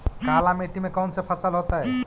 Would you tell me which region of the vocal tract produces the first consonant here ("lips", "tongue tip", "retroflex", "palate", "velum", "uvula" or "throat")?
velum